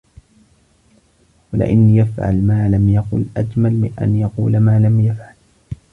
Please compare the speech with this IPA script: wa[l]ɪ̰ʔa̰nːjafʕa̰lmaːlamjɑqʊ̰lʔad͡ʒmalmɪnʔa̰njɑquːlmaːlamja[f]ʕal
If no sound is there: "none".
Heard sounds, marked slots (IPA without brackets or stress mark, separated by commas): l, f